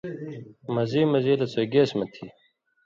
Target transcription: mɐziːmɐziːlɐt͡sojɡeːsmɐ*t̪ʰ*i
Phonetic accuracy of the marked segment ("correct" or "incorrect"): correct